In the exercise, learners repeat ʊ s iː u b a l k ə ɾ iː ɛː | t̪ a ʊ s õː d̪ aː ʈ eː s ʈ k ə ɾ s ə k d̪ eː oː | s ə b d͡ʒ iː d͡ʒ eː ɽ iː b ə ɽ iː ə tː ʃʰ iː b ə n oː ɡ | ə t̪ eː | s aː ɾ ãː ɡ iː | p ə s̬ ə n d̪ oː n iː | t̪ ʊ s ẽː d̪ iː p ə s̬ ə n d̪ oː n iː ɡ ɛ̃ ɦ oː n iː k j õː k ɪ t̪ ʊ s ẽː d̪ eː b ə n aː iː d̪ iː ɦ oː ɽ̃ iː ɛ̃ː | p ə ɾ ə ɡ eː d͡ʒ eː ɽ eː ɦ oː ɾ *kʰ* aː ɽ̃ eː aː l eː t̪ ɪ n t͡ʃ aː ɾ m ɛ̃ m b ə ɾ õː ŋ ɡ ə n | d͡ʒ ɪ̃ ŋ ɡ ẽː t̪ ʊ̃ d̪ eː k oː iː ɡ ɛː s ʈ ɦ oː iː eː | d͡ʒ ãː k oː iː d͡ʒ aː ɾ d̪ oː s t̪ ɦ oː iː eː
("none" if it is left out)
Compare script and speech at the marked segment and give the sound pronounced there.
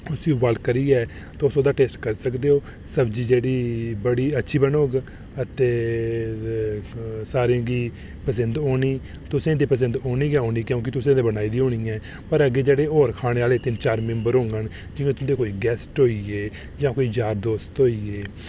kʰ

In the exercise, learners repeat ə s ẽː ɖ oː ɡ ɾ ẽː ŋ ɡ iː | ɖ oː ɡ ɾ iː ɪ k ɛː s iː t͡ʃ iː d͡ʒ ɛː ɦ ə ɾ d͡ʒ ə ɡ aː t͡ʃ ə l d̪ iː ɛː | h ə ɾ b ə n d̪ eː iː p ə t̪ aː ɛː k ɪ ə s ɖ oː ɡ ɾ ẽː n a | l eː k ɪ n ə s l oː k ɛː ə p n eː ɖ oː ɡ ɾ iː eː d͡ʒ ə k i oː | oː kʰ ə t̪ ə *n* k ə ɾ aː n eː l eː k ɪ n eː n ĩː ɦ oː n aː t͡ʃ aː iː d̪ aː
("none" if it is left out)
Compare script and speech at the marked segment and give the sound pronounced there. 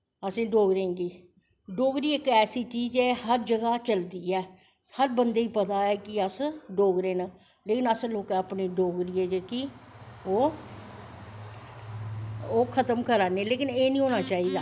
m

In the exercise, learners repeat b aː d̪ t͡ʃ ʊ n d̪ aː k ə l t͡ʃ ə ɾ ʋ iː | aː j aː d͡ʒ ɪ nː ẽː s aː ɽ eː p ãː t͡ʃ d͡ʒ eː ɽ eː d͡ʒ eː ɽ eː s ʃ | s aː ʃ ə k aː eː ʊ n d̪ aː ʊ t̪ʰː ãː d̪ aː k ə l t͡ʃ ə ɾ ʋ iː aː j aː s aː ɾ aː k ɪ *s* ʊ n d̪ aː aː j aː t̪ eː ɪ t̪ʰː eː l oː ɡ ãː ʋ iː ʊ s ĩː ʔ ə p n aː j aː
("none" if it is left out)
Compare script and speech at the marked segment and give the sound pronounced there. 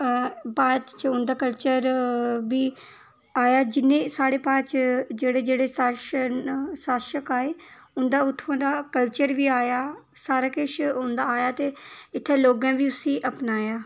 ʃ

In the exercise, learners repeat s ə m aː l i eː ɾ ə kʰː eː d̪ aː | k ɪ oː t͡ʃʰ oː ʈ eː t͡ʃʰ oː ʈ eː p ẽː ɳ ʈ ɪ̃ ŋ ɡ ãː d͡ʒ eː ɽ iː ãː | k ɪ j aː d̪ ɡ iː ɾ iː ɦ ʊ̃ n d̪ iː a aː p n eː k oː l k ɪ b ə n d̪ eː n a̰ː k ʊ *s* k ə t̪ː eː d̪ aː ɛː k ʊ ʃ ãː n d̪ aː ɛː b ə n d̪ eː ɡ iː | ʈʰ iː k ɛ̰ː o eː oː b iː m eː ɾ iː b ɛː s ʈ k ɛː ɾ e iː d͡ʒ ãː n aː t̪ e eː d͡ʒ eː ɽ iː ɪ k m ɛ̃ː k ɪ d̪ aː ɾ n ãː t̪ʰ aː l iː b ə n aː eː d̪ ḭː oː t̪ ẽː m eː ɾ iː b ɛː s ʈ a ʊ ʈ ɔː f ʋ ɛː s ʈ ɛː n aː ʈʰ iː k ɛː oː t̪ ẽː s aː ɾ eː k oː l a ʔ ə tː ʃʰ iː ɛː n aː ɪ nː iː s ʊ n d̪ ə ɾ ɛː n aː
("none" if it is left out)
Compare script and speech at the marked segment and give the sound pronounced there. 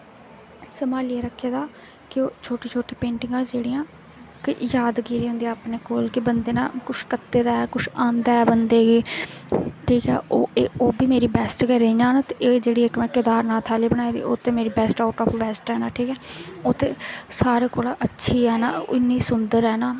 ʃ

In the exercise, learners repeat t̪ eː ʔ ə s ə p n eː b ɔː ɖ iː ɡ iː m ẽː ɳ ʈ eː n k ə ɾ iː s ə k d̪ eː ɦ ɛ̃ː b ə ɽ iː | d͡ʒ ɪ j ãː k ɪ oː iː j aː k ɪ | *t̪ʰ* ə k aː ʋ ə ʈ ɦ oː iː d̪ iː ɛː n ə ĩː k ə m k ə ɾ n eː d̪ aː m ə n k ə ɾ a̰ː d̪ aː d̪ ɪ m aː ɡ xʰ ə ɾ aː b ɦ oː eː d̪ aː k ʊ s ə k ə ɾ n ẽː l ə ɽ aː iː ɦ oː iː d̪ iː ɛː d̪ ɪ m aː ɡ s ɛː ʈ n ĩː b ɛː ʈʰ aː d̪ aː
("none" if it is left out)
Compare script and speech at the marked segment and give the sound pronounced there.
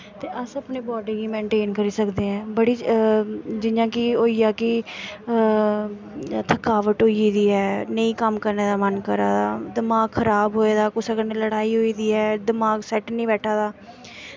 t̪ʰ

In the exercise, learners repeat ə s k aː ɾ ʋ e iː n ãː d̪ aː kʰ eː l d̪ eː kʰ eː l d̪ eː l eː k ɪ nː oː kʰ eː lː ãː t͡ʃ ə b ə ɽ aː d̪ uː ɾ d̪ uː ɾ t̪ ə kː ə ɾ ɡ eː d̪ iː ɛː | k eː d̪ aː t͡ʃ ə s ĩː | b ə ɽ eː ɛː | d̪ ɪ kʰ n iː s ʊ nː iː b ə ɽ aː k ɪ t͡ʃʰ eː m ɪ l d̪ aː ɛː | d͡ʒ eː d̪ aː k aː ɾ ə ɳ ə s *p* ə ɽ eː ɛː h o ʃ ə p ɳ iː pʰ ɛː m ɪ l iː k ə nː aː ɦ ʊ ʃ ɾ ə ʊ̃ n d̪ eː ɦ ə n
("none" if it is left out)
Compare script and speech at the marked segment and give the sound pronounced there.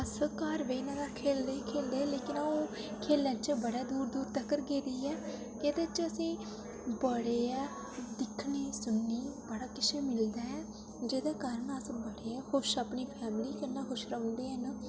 b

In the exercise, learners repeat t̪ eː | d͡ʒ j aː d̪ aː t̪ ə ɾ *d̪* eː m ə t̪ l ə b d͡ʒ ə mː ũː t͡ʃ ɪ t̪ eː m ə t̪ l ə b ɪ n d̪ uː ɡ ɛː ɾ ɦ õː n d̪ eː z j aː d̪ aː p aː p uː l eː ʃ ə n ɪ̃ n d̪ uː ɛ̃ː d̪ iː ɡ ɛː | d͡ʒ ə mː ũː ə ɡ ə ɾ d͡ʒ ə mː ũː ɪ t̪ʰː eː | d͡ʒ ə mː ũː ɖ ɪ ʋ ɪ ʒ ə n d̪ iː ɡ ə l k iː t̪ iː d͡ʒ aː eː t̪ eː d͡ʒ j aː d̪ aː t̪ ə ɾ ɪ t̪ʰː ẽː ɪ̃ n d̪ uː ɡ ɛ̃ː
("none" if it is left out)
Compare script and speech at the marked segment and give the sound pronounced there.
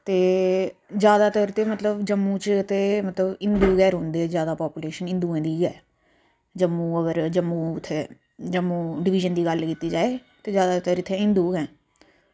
t̪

